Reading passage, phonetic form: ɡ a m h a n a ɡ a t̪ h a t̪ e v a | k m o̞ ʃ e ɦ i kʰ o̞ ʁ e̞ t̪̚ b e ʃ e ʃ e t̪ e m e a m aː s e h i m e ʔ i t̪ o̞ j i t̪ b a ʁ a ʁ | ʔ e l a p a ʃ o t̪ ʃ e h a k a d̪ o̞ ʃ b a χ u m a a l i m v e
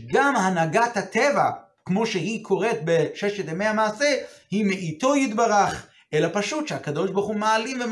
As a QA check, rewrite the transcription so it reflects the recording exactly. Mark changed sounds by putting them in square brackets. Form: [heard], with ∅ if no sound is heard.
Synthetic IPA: ɡ a m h a n a ɡ a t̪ h a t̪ e v a | k m o̞ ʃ e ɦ i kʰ o̞ ʁ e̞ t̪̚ b e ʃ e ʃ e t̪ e m e a m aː s e h i m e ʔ i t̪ o̞ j i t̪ b a ʁ a [χ] | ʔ e l a p a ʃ [u] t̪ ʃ e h a k a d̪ o̞ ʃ b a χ u m a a l i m v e